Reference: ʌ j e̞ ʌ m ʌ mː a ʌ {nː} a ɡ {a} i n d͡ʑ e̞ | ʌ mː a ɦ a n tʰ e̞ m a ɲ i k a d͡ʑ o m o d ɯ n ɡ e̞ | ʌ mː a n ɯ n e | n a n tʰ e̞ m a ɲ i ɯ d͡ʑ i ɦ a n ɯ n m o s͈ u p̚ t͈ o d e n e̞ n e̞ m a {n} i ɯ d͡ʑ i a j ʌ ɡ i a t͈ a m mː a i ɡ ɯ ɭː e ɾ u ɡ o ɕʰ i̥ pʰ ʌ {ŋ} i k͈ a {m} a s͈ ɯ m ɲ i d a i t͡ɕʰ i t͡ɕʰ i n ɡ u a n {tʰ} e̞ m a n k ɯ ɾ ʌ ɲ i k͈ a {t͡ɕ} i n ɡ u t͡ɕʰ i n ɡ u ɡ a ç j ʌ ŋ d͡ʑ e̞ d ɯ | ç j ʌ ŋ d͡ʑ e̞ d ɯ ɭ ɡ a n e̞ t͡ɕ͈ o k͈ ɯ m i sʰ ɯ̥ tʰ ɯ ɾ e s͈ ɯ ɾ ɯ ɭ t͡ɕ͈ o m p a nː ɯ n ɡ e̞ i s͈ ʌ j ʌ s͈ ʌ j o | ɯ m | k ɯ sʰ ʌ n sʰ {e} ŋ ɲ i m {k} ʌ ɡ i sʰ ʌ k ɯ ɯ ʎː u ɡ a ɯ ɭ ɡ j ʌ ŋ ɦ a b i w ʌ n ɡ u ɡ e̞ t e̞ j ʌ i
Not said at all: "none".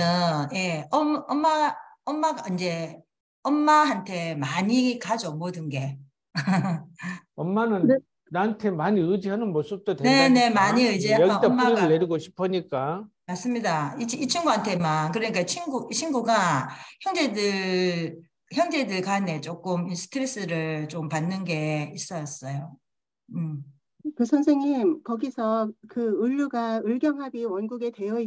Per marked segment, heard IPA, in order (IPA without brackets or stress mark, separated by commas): mː, a, ɲ, ɲ, m, tʰ, t͡ɕʰ, e, k